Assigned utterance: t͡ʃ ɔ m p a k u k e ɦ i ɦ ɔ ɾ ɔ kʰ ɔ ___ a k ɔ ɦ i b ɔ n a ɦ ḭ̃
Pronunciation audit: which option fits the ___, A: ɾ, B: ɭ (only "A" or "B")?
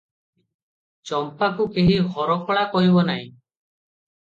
B